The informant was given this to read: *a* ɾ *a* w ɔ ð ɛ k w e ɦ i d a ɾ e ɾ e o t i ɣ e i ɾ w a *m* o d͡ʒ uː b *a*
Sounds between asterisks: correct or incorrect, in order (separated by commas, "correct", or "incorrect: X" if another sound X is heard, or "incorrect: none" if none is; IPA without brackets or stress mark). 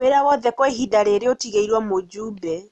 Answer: incorrect: e, correct, correct, incorrect: ɛ